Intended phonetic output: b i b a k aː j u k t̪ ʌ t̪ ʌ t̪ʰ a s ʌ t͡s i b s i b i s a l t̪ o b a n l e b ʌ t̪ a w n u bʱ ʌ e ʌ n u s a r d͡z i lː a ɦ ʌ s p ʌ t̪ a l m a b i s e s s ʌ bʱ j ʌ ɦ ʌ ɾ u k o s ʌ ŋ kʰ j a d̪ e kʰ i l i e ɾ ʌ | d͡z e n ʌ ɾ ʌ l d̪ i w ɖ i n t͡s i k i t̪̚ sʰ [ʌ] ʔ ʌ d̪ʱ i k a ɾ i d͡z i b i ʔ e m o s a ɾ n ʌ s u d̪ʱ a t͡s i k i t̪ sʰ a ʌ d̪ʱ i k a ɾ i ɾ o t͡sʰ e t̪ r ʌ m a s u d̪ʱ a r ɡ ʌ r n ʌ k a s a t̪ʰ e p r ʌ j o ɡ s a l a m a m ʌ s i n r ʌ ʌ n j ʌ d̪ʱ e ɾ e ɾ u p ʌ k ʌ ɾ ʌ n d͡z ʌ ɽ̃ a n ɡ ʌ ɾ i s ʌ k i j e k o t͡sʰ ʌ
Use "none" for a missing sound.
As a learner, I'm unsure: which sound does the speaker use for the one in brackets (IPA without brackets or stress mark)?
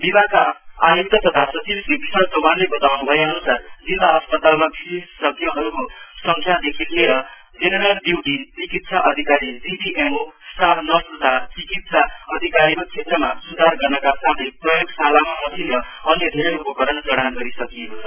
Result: a